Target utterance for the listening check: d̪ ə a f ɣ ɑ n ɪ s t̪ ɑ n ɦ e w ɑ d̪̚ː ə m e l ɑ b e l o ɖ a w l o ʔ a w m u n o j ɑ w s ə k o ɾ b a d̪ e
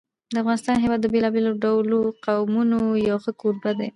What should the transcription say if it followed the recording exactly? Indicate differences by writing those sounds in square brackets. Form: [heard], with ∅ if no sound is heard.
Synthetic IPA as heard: d̪ ə a f ɣ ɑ n ɪ s t̪ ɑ n ɦ e w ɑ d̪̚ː ə [b] e l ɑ b e l o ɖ a w l o [q] a w m u n o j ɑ w [x] ə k o ɾ b a d̪ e